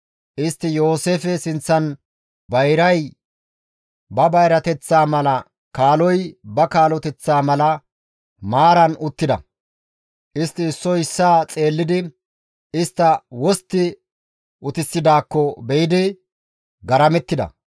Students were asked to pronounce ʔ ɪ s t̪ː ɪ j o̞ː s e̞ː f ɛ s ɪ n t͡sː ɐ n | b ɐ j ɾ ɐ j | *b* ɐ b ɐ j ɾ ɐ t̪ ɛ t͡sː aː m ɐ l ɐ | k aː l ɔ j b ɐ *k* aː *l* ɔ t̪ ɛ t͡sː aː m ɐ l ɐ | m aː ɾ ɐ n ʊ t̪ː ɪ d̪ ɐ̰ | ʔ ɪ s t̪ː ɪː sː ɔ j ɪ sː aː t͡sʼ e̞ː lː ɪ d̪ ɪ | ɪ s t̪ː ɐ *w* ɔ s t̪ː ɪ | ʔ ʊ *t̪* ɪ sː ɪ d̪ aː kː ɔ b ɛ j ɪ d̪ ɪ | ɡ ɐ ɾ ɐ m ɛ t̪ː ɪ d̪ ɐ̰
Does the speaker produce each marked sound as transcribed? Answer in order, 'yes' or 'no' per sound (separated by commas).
yes, yes, yes, yes, yes